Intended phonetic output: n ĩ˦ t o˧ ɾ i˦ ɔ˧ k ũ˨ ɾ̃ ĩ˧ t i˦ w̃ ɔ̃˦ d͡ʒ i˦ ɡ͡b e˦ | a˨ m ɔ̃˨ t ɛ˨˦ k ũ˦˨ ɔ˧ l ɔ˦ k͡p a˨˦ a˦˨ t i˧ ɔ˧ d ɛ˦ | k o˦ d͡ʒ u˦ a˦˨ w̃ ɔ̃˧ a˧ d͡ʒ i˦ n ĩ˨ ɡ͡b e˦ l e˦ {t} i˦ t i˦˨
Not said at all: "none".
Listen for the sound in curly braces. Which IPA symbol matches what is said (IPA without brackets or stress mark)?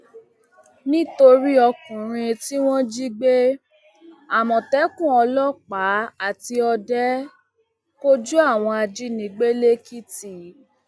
k